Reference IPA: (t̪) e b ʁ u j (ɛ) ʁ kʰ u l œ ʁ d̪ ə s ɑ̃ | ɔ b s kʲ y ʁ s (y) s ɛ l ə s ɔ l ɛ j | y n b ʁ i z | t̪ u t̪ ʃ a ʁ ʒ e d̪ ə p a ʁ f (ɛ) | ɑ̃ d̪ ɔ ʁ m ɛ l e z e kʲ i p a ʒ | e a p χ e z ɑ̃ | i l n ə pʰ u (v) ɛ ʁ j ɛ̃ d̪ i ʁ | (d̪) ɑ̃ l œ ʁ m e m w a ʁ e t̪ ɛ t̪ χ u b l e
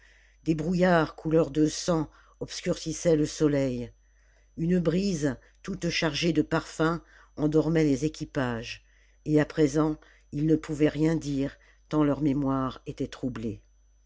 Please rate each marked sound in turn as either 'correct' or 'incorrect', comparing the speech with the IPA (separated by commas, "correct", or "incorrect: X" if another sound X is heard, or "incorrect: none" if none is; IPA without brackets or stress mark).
incorrect: d̪, incorrect: a, incorrect: i, incorrect: ɛ̃, correct, incorrect: t̪